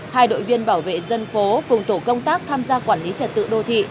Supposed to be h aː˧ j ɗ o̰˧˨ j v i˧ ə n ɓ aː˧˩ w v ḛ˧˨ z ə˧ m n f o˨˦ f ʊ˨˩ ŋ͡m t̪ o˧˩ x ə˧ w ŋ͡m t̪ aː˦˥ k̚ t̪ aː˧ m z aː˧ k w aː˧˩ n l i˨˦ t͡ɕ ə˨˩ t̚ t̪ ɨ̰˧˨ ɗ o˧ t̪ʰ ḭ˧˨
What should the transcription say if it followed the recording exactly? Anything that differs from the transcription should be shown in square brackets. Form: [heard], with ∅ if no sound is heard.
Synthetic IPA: h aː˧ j ɗ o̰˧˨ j v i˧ ə n ɓ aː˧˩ w v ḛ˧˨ z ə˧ [∅] n f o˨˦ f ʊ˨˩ ŋ͡m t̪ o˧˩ [k] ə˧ w ŋ͡m t̪ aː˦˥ k̚ [t̪ʰ] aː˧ m z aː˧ k w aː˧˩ n l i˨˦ t͡ɕ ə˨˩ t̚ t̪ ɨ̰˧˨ ɗ o˧ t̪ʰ ḭ˧˨

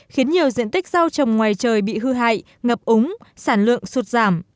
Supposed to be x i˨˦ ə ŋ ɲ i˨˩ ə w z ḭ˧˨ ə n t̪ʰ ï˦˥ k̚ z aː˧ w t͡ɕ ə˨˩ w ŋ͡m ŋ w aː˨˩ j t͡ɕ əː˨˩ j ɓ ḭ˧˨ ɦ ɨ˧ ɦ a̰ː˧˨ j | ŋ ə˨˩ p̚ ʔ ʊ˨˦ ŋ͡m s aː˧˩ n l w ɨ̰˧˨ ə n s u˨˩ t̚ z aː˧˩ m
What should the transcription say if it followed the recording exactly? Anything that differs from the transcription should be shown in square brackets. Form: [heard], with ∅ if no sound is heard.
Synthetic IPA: x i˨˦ ə [n] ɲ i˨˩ ə w z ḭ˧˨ ə n [t̪] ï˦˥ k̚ z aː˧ w t͡ɕ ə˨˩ w ŋ͡m ŋ w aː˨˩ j t͡ɕ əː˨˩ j ɓ ḭ˧˨ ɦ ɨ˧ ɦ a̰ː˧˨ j | ŋ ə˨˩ p̚ ʔ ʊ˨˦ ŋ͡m s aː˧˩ n l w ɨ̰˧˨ ə [ŋ] s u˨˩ t̚ z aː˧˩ m

